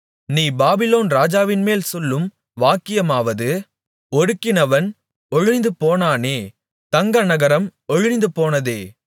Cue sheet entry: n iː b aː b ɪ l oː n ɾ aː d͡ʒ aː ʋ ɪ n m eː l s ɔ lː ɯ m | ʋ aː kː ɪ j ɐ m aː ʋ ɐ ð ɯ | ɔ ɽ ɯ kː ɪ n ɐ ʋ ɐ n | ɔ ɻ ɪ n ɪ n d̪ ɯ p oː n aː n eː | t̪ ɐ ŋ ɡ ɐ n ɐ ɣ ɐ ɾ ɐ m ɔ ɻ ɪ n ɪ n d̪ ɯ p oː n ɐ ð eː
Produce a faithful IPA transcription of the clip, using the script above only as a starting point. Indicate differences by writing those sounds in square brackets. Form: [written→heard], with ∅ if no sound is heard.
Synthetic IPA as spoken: n iː b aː b ɪ l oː n ɾ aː d͡ʒ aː ʋ ɪ n m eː l s ɔ lː ɯ m | ʋ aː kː ɪ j ɐ m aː ʋ ɐ ð ɯ | ɔ ɽ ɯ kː ɪ n ɐ ʋ ɐ n | ɔ ɻ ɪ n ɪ n d̪ ɯ p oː n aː n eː | t̪ ɐ ŋ ɡ ɐ n ɐ ɣ ɐ ɾ ɐ m ɔ ɻ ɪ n ɪ n d̪ ɯ p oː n ɐ ð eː